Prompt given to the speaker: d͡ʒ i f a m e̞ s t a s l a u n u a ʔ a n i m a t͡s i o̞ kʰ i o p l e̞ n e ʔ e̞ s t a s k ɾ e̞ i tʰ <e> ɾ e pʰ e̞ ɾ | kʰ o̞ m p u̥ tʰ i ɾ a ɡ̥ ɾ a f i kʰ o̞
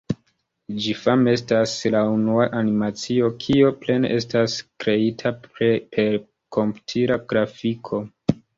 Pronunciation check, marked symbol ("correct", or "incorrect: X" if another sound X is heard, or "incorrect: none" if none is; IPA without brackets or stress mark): incorrect: a